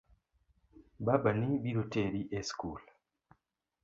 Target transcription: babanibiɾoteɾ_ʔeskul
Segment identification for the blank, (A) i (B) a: A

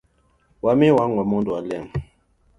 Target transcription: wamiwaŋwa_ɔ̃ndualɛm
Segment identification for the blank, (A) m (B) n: A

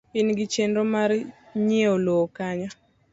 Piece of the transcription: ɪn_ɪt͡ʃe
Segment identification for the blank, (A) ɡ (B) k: A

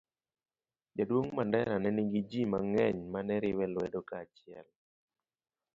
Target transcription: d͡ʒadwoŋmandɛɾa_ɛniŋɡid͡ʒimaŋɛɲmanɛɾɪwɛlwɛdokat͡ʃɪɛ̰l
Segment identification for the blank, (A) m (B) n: B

